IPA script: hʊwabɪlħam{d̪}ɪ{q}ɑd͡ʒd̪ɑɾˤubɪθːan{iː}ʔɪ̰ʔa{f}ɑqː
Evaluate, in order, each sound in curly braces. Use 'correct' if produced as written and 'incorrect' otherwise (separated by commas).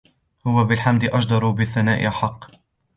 correct, incorrect, incorrect, incorrect